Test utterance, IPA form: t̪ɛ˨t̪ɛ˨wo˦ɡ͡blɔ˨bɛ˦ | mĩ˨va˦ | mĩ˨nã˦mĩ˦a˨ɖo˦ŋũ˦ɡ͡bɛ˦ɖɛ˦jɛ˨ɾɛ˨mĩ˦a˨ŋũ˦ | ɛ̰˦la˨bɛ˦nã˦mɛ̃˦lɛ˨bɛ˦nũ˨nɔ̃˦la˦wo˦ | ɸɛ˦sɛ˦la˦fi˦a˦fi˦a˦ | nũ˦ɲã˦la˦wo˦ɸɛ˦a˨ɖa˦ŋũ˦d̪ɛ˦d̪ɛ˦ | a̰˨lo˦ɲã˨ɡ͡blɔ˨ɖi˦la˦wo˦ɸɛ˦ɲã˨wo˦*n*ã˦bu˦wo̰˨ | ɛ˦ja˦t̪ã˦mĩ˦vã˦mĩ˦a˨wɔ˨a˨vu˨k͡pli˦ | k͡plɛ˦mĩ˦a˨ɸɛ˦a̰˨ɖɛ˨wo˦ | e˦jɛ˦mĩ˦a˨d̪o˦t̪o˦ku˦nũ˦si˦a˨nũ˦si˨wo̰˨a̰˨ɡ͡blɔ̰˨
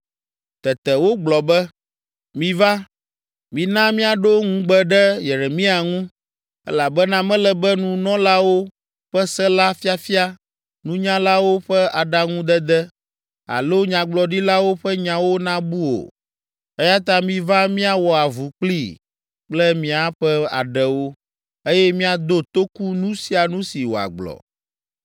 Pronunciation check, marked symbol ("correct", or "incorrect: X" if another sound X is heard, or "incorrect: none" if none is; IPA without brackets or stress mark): correct